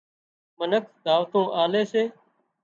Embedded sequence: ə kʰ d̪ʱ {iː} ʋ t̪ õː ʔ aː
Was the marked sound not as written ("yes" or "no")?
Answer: yes